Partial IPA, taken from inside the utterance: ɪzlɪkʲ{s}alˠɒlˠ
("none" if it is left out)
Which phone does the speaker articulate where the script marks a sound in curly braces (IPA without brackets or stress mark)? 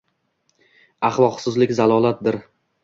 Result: z